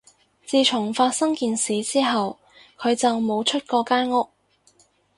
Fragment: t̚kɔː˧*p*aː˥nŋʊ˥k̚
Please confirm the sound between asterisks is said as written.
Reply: no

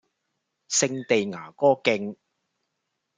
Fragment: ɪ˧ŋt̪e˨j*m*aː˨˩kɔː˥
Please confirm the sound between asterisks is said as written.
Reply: no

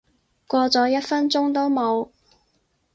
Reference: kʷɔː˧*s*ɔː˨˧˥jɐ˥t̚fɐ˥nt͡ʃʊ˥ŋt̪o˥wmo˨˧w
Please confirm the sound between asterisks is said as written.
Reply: no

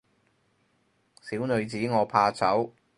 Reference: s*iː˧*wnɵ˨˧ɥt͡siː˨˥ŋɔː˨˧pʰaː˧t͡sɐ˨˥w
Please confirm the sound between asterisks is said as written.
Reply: no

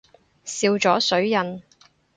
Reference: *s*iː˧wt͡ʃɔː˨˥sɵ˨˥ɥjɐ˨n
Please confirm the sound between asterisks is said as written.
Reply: yes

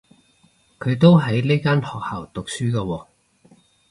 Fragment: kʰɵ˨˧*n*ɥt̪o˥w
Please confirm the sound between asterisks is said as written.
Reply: no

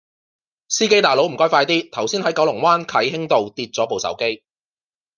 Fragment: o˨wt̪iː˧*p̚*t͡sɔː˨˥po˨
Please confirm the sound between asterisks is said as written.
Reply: no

